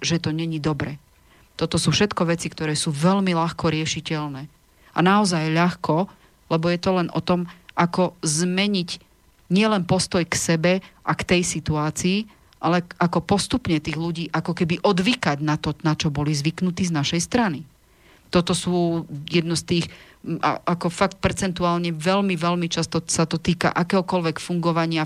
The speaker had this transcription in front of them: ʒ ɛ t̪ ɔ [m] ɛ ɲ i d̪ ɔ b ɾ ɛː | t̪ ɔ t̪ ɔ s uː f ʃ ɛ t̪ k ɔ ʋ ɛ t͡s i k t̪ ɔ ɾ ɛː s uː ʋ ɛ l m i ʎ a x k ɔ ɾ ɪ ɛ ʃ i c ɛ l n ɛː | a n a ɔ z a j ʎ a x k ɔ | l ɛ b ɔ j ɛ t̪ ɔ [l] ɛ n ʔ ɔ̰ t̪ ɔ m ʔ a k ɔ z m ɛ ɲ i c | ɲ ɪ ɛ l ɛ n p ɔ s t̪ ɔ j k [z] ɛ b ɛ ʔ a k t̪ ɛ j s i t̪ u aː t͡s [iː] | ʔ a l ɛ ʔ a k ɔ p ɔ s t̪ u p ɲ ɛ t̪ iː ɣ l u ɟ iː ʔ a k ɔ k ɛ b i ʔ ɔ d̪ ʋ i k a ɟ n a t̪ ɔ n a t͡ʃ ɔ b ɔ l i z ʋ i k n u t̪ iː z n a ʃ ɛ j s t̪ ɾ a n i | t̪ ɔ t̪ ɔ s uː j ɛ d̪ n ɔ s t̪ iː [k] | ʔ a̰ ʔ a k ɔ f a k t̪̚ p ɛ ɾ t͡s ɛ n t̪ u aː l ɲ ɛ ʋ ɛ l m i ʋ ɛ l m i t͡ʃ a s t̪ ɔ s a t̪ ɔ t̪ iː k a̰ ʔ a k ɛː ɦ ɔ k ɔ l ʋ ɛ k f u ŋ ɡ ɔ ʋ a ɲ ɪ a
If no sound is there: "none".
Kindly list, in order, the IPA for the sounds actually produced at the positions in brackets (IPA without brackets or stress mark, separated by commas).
ɲ, l, s, iː, x